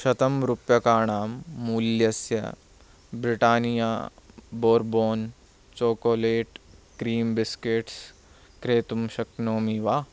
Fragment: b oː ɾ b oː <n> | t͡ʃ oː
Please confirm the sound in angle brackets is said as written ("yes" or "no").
yes